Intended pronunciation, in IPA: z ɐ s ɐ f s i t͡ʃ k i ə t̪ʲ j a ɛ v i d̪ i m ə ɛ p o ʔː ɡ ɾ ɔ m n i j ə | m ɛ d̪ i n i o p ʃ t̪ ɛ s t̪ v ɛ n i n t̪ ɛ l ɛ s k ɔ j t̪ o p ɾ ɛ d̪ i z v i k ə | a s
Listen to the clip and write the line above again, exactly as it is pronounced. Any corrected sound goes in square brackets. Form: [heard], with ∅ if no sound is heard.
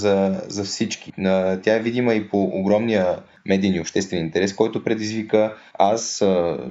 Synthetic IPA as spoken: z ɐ [z] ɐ f s i t͡ʃ k i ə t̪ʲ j a ɛ v i d̪ i m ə [i] p o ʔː ɡ ɾ ɔ m n i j ə | m ɛ d̪ i n i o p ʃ t̪ ɛ s t̪ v ɛ n i n t̪ ɛ [ɾ] ɛ s k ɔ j t̪ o p ɾ ɛ d̪ i z v i k ə | a s